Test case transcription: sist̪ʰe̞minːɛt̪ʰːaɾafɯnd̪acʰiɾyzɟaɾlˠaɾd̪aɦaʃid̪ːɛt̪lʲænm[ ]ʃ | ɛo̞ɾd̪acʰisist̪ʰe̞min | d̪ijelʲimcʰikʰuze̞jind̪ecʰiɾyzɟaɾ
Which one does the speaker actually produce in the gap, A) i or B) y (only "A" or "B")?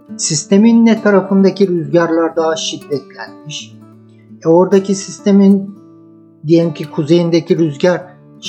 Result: A